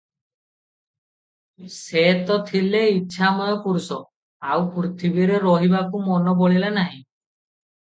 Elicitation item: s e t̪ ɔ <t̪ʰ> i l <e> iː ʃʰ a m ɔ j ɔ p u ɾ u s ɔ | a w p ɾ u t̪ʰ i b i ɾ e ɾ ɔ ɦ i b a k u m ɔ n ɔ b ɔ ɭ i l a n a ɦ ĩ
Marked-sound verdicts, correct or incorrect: correct, correct

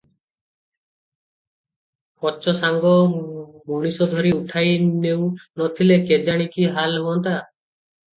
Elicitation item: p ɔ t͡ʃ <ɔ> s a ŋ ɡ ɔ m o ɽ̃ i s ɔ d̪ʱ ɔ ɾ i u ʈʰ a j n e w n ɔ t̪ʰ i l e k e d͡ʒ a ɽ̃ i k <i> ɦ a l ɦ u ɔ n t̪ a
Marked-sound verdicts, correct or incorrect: correct, correct

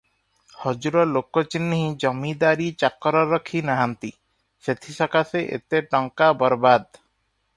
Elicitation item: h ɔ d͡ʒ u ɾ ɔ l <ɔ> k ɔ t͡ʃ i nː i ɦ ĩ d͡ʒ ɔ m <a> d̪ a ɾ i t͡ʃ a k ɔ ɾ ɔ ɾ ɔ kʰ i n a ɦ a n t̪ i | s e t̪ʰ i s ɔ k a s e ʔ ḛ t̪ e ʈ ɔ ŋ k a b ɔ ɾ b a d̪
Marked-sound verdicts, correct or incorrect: incorrect: o, incorrect: i

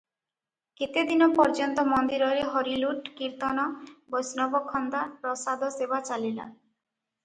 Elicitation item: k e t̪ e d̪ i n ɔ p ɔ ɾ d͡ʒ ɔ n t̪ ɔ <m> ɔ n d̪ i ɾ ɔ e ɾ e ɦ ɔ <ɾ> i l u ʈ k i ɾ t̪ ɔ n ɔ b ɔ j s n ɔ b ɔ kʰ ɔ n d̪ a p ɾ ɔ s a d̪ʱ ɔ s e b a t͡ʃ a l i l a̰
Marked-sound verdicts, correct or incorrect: correct, correct

